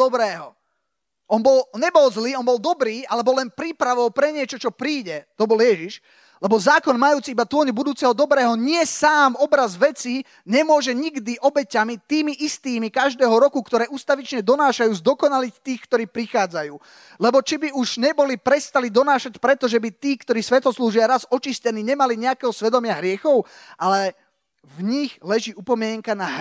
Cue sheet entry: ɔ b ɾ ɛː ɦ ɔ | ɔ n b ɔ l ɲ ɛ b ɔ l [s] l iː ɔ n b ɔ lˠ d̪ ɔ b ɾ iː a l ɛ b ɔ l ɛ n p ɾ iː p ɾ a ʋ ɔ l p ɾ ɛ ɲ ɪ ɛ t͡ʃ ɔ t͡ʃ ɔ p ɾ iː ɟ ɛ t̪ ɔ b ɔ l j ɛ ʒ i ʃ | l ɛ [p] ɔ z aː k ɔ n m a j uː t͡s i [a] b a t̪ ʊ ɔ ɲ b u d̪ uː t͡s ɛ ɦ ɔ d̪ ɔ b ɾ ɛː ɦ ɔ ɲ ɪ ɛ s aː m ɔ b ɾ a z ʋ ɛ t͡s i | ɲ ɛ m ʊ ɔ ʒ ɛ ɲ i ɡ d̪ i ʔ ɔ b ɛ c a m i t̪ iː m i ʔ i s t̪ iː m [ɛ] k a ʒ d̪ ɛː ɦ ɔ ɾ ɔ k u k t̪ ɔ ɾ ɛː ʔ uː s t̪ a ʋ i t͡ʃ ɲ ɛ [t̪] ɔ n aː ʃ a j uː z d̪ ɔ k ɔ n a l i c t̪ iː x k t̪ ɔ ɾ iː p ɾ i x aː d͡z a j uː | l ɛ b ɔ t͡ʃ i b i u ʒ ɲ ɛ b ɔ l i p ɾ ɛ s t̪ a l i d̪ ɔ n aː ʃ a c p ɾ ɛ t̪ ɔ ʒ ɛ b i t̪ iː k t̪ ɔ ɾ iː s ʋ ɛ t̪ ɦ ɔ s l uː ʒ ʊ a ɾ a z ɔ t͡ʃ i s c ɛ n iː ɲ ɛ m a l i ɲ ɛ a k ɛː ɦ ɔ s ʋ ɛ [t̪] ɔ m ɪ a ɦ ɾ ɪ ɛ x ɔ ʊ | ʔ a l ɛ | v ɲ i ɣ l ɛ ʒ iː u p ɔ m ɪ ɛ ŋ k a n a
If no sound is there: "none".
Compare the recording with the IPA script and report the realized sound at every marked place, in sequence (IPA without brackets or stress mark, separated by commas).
z, b, i, i, d̪, d̪